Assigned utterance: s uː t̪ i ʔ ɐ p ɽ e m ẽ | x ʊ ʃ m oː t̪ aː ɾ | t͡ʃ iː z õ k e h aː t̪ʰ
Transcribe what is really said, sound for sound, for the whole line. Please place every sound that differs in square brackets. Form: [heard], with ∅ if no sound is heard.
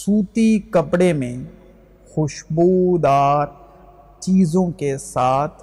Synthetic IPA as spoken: s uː t̪ i [k] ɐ p ɽ e m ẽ | x ʊ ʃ [b] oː [d̪] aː ɾ | t͡ʃ iː z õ k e [s] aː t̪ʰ